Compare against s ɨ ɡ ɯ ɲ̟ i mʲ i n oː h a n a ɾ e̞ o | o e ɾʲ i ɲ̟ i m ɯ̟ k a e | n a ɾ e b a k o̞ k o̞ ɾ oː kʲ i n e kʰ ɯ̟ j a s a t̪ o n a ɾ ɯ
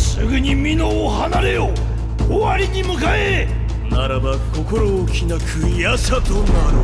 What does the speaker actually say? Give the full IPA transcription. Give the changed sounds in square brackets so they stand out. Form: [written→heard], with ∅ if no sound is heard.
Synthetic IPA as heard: s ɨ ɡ ɯ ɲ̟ i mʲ i n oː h a n a ɾ e̞ o | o [e→a] ɾʲ i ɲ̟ i m ɯ̟ k a e | n a ɾ [e→a] b a k o̞ k o̞ ɾ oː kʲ i n [e→a] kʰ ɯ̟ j a s a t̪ o n a ɾ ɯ

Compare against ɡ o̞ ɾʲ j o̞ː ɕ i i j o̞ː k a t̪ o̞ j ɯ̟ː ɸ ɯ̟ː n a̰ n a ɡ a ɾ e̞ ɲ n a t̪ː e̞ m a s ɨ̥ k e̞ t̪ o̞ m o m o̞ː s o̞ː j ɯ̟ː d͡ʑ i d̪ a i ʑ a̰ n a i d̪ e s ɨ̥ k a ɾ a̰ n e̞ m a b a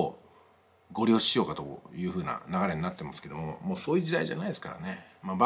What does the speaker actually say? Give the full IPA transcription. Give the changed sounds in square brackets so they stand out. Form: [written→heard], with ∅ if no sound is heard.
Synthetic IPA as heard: ɡ o̞ ɾʲ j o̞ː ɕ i i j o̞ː k a t̪ o̞ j ɯ̟ː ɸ ɯ̟ː n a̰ n a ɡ a ɾ e̞ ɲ n a t̪ː e̞ m a s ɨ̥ k e̞ [t̪→d̪] o̞ m o m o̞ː s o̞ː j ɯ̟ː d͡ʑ i d̪ a i ʑ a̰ n a i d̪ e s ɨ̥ k a ɾ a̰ n e̞ m a b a

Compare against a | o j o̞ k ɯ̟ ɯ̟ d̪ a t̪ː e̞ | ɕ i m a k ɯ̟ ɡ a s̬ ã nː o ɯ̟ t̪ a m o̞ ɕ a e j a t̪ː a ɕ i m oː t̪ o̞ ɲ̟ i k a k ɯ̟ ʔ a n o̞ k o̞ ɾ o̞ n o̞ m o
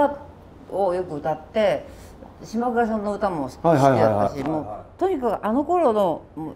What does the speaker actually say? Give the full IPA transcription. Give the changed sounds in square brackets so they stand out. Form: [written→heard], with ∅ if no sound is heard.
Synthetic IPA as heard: a | o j o̞ k ɯ̟ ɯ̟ [d̪→t̪] a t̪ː e̞ | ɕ i m a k ɯ̟ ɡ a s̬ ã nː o ɯ̟ t̪ a m o̞ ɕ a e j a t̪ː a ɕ i m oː t̪ o̞ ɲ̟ i k a k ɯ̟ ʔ a n o̞ k o̞ ɾ o̞ n o̞ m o

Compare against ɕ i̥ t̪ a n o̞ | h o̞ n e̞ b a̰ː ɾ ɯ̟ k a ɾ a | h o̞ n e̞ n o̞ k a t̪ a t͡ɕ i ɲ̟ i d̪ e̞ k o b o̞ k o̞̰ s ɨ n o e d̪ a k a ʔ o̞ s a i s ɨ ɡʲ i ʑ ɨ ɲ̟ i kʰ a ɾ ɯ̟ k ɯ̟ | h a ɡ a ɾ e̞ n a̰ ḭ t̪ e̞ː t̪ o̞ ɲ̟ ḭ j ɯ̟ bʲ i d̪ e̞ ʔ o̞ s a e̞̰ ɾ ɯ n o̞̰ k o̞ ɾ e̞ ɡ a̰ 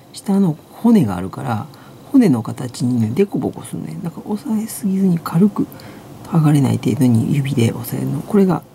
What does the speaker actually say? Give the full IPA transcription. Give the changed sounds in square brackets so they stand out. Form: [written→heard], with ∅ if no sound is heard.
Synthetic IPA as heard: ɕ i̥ t̪ a n o̞ | h o̞ n e̞ [b→ɡ] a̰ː ɾ ɯ̟ k a ɾ a | h o̞ n e̞ n o̞ k a t̪ a t͡ɕ i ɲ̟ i d̪ e̞ k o b o̞ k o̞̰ s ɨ n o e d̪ a k a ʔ o̞ s a [i→e] s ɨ ɡʲ i [ʑ→z] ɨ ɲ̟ i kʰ a ɾ ɯ̟ k ɯ̟ | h a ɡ a ɾ e̞ n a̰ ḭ t̪ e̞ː [t̪→d̪] o̞ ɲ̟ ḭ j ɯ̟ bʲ i d̪ e̞ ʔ o̞ s a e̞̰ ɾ ɯ n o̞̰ k o̞ ɾ e̞ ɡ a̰

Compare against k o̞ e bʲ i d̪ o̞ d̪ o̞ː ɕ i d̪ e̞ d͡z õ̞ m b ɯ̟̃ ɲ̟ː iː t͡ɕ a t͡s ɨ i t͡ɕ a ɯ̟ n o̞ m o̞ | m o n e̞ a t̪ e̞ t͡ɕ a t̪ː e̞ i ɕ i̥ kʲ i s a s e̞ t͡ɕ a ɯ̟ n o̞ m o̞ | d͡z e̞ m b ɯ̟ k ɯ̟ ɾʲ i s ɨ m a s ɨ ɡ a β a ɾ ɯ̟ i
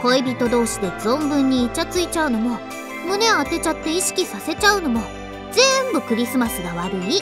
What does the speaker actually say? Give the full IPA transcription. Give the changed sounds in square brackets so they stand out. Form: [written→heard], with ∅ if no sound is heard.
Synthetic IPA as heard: k o̞ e bʲ i [d̪→t̪] o̞ d̪ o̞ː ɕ i d̪ e̞ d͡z õ̞ m b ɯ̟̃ ɲ̟ː iː t͡ɕ a t͡s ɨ i t͡ɕ a ɯ̟ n o̞ m o̞ | m o n e̞ a t̪ e̞ t͡ɕ a t̪ː e̞ i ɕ i̥ kʲ i s a s e̞ t͡ɕ a ɯ̟ n o̞ m o̞ | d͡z e̞ m b ɯ̟ k ɯ̟ ɾʲ i s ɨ m a s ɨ ɡ a β a ɾ ɯ̟ i

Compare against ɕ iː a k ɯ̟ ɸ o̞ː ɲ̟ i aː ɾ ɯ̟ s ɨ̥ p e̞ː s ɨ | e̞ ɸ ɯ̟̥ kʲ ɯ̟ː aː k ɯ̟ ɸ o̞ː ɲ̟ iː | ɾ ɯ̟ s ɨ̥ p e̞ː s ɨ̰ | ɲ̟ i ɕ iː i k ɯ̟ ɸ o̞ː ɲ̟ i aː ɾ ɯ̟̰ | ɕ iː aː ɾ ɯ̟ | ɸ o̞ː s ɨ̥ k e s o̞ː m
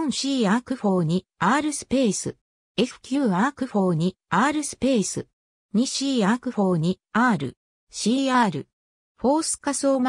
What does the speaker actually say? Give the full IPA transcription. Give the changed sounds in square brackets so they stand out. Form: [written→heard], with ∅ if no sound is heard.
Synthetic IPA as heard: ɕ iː a k ɯ̟ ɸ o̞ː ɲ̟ i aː ɾ ɯ̟ s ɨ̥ p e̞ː s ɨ | e̞ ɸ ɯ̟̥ kʲ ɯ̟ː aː k ɯ̟ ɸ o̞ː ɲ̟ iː | ɾ ɯ̟ s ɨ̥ p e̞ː s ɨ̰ | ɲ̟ i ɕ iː [i→a] k ɯ̟ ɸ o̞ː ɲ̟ i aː ɾ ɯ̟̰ | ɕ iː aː ɾ ɯ̟ | ɸ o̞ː s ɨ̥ k [e→a] s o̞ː m

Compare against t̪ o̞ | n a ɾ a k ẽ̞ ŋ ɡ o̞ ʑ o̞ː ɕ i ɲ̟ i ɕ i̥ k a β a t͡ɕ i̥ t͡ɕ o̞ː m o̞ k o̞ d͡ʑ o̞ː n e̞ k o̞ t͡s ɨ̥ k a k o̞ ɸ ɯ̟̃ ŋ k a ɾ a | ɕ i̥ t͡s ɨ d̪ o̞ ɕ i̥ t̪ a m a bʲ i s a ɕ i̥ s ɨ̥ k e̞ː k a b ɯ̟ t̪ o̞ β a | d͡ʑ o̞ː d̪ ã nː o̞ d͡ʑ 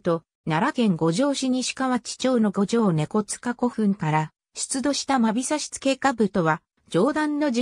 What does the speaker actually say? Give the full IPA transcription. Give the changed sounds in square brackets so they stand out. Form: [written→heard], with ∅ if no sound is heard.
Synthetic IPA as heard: t̪ o̞ | n a ɾ a k ẽ̞ ŋ ɡ o̞ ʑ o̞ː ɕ i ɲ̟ i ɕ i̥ k a β a t͡ɕ i̥ t͡ɕ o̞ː [m→n] o̞ [k→ɡ] o̞ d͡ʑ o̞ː n e̞ k o̞ t͡s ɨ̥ k a k o̞ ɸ ɯ̟̃ ŋ k a ɾ a | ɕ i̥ t͡s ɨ d̪ o̞ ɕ i̥ t̪ a m a bʲ i s a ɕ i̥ [s→t͡s] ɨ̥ k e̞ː k a b ɯ̟ t̪ o̞ β a | d͡ʑ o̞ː d̪ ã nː o̞ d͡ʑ

